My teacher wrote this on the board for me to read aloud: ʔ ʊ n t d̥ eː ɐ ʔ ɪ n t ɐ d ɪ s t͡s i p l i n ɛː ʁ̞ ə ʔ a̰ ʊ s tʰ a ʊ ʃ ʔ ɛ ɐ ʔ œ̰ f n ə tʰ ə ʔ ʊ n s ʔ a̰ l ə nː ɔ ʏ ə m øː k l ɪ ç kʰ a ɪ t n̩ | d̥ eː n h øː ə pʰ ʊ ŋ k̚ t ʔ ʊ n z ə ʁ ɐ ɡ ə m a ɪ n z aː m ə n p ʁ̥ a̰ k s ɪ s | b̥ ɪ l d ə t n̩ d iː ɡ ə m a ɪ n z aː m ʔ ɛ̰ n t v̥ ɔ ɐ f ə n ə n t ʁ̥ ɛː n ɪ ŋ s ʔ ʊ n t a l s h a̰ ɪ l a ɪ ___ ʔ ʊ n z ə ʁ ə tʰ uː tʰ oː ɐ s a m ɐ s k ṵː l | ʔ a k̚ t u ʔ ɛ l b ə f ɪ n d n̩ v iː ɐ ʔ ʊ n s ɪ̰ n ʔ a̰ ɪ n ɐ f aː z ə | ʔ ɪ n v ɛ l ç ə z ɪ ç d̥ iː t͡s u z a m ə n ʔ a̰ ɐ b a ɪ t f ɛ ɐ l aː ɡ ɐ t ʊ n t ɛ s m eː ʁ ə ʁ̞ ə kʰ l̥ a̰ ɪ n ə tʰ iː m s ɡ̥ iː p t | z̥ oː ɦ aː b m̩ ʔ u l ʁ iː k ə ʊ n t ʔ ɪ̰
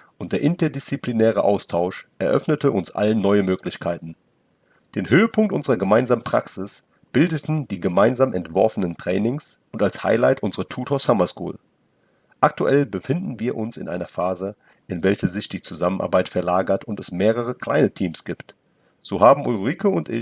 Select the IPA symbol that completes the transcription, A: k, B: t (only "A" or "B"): B